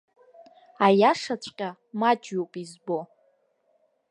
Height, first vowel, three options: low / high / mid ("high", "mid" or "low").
low